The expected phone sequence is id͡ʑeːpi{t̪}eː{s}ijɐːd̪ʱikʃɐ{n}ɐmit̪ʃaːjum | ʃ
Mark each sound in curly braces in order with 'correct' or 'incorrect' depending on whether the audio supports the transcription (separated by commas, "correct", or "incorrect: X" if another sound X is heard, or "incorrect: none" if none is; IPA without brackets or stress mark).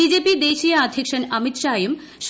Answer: incorrect: d̪, incorrect: ʃ, correct